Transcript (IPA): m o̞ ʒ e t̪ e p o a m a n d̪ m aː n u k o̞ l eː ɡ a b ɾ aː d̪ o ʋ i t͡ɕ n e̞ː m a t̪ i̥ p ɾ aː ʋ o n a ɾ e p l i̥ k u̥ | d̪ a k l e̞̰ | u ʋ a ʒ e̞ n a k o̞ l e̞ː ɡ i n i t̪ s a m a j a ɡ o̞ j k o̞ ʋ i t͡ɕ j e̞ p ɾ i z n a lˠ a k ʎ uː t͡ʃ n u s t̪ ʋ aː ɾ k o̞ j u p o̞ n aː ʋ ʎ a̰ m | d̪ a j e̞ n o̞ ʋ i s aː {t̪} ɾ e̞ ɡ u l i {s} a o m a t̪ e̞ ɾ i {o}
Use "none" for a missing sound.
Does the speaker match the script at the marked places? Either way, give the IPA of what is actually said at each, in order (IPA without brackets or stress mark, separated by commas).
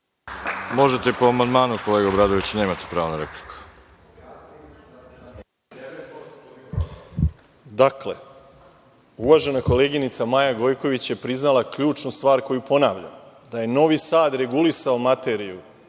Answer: d̪, s, u